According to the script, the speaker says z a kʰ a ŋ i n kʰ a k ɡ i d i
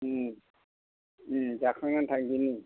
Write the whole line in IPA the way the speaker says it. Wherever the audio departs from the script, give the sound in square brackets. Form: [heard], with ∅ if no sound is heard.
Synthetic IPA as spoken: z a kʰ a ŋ [a] n [tʰ] a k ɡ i [n] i